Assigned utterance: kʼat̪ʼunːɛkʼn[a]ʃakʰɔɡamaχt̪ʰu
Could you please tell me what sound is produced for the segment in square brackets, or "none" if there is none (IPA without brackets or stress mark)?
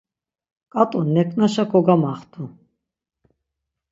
a